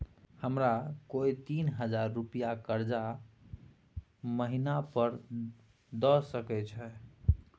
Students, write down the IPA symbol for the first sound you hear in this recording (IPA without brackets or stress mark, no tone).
h